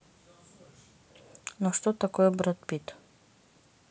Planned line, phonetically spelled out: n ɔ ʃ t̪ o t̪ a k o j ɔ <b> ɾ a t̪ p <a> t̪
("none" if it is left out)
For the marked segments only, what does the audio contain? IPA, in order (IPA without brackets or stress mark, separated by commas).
b, i